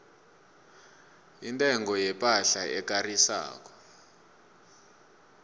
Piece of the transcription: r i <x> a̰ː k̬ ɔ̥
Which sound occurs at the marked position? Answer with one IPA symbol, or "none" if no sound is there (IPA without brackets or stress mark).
s